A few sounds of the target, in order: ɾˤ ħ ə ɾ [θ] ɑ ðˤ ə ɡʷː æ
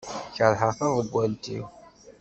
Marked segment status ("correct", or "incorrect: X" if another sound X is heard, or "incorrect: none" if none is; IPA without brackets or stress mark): correct